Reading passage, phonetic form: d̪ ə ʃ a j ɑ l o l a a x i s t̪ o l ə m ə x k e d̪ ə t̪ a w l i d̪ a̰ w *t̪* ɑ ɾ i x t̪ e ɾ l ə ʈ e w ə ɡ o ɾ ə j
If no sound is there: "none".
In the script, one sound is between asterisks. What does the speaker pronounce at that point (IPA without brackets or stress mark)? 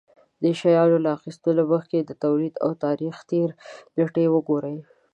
t̪